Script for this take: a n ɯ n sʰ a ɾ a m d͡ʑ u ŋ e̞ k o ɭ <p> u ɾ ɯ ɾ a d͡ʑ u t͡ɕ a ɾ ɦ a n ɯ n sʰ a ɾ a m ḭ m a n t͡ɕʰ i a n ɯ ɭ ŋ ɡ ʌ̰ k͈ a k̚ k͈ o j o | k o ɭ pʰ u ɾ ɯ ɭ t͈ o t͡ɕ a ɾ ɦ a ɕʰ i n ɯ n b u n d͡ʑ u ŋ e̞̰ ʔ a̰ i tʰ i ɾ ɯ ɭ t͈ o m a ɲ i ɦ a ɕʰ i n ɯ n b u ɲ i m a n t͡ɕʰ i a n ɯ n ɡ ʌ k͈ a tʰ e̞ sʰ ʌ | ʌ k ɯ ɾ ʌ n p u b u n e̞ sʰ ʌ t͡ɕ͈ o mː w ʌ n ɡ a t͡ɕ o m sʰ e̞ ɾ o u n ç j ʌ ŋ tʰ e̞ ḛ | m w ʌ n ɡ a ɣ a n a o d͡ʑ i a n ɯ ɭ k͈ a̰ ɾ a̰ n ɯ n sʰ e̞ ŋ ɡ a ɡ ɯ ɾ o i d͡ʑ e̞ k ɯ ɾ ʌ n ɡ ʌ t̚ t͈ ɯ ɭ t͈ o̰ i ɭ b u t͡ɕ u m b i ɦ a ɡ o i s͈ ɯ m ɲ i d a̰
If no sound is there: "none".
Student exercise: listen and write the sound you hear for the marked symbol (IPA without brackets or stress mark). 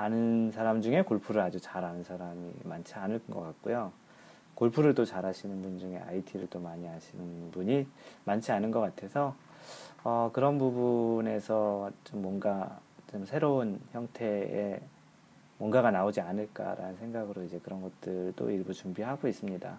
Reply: pʰ